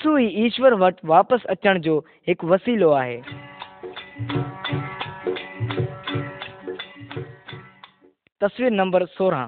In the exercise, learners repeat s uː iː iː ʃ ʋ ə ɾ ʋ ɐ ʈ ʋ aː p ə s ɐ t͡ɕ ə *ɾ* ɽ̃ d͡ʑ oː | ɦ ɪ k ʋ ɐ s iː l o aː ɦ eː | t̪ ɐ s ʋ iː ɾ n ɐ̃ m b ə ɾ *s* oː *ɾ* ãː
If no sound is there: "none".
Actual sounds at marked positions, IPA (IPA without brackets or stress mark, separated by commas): none, s, ɾ